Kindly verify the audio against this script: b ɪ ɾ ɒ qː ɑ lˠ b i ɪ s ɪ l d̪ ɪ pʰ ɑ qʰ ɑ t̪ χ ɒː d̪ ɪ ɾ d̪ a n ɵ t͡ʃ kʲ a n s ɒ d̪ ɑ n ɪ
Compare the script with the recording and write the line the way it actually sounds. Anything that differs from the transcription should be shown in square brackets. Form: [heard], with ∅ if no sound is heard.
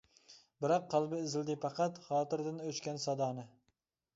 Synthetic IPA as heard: b ɪ ɾ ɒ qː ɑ lˠ b [ɪ] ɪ [z] ɪ l d̪ ɪ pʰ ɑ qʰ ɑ t̪ χ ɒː [t̪] ɪ ɾ d̪ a n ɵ t͡ʃ kʲ a n s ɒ d̪ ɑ n ɪ